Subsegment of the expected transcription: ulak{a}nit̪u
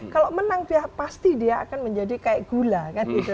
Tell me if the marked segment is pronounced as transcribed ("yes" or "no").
yes